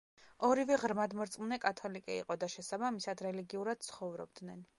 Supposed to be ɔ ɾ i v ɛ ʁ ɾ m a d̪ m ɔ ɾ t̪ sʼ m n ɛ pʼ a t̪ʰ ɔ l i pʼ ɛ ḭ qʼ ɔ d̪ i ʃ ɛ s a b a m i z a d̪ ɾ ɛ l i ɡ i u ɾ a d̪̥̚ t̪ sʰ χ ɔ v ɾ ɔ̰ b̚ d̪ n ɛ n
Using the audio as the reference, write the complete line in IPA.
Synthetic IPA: ɔ ɾ i v ɛ ʁ ɾ m a d̪ m ɔ ɾ t̪ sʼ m n ɛ kʼ a t̪ʰ ɔ l i kʼ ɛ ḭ qʼ ɔ d̪ a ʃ ɛ s a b a m i s a d̪ ɾ ɛ l i ɡ i u ɾ a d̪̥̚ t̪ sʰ χ ɔ v ɾ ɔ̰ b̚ d̪ n ɛ n